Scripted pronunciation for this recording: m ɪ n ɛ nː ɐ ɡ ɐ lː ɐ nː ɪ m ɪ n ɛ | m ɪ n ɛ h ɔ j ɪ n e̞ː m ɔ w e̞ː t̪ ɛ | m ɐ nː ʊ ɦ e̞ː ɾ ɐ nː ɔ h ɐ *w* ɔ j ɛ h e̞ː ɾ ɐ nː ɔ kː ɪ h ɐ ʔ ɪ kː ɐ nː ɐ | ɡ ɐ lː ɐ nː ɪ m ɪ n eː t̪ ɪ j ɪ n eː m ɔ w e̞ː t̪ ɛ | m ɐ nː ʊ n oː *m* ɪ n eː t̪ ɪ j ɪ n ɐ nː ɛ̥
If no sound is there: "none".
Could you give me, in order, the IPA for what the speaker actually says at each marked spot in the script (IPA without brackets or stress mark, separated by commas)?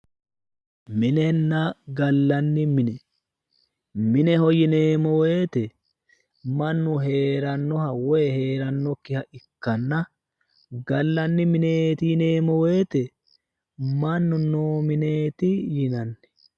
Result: w, m